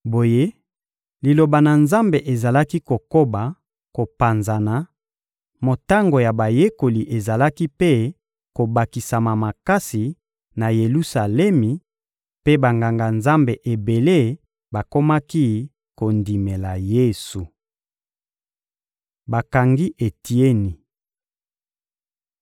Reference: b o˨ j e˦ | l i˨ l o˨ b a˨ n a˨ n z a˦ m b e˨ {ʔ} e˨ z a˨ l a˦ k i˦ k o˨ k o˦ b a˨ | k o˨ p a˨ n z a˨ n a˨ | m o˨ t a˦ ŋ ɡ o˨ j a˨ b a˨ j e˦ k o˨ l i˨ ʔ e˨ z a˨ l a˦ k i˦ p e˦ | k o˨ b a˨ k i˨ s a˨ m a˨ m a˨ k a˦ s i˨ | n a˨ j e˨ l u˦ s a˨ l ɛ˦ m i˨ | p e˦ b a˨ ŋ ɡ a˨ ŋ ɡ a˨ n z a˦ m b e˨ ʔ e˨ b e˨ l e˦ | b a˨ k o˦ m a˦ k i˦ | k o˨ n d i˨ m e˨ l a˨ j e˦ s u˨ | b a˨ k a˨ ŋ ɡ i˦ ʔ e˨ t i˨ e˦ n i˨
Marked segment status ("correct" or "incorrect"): correct